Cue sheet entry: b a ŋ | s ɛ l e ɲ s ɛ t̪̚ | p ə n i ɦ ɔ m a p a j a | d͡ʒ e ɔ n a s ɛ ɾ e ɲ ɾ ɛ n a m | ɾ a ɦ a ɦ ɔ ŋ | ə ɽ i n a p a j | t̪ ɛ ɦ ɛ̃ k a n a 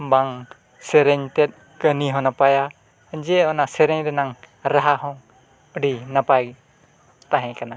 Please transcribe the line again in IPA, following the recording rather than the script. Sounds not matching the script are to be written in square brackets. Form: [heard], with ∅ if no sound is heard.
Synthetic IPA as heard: b a ŋ | s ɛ [ɾ] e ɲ [t] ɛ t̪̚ | [k] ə n i ɦ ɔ [n] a p a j a | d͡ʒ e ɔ n a s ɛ ɾ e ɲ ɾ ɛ n a [ŋ] | ɾ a ɦ a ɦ ɔ ŋ | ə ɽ i n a p a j | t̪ [a] ɦ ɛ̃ k a n a